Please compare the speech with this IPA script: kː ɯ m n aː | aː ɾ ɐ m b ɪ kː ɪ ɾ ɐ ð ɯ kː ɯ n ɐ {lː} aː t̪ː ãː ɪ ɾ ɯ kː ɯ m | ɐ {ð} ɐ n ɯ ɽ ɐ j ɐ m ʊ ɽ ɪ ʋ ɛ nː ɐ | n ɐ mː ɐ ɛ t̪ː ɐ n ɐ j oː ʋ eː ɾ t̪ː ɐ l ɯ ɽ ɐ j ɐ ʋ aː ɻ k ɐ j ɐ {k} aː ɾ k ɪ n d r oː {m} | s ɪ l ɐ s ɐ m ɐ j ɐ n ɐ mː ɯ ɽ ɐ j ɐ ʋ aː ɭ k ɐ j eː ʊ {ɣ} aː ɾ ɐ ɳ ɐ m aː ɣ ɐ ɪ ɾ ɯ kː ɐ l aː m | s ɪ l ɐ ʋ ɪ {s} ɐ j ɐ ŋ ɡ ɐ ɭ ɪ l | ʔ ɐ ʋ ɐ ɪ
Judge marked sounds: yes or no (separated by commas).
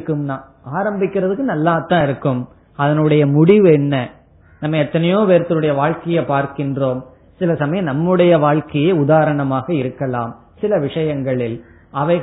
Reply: yes, yes, no, yes, no, no